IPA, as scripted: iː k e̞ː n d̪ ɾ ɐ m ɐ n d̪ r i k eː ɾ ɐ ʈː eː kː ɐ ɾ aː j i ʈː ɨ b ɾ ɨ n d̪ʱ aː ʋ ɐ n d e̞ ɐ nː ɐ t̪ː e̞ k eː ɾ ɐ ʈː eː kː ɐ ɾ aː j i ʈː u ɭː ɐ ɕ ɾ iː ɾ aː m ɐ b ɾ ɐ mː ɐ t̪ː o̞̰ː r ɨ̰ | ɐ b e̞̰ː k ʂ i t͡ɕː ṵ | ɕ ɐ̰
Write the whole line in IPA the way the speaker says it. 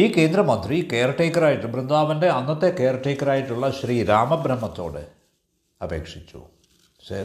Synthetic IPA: iː k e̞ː n d̪ ɾ ɐ m ɐ n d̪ r i k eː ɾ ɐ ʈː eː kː ɐ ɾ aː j i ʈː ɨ b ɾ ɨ n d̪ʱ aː ʋ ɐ n d e̞ ɐ nː ɐ t̪ː e̞ k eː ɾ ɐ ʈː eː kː ɐ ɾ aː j i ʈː u ɭː ɐ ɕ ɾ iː ɾ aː m ɐ b ɾ ɐ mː ɐ t̪ː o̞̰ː ɽ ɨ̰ | ɐ b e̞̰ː k ʂ i t͡ɕː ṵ | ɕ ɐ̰